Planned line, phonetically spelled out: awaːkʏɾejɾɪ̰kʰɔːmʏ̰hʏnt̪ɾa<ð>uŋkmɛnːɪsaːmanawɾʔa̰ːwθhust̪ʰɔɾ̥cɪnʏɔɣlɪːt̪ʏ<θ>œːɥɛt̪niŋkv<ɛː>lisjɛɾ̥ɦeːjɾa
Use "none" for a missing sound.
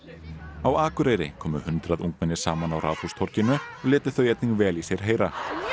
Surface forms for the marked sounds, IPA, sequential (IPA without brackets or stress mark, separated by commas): ð, θ, ɛː